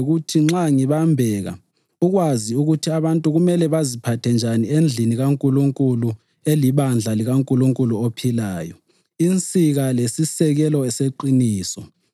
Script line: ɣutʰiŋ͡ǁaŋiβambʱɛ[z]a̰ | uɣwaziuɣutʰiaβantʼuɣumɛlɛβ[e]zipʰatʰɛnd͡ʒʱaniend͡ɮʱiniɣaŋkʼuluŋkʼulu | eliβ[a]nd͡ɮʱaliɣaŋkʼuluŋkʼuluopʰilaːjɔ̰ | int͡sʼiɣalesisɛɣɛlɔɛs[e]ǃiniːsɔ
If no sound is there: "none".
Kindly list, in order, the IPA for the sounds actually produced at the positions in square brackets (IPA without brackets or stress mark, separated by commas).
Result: ɣ, a, a, e